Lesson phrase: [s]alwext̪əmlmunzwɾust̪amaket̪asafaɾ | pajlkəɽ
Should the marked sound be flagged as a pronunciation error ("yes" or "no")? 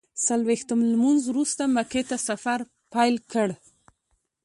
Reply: no